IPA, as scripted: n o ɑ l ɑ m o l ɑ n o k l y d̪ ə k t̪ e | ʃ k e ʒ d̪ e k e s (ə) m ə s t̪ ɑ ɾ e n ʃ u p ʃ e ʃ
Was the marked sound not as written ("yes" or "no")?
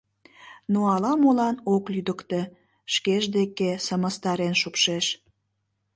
no